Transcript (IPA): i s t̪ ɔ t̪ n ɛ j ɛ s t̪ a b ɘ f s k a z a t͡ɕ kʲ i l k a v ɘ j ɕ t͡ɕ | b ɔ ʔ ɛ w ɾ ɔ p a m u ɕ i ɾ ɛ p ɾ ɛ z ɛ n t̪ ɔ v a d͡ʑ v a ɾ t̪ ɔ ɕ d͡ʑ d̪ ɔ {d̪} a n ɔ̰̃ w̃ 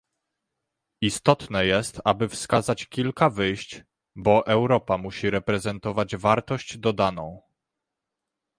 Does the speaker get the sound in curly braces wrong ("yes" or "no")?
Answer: no